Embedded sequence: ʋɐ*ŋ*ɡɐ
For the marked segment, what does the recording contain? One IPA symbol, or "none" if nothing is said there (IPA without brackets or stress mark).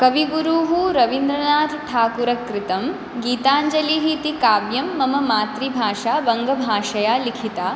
ŋ